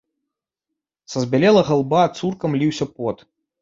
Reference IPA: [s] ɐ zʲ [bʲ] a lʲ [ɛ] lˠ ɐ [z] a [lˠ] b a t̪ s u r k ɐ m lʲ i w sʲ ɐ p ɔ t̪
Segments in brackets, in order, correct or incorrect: correct, correct, correct, incorrect: ɣ, correct

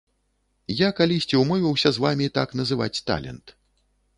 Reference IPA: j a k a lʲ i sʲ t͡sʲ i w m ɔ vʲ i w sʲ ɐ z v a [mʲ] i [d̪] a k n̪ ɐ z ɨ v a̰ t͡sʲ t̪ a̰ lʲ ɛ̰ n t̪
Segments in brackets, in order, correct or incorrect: correct, incorrect: t̪

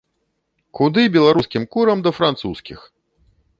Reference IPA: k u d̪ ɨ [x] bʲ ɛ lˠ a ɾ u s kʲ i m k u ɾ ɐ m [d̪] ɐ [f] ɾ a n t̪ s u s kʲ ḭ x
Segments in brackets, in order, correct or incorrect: incorrect: none, correct, correct

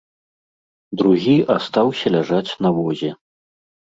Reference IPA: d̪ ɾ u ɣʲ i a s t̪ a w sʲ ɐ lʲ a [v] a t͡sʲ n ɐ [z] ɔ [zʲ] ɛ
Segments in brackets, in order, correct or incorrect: incorrect: ʐ, incorrect: v, correct

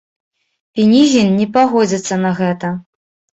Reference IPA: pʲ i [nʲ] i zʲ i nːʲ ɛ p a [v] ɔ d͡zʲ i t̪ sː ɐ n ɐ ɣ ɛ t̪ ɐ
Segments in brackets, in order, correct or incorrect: correct, incorrect: ɣ

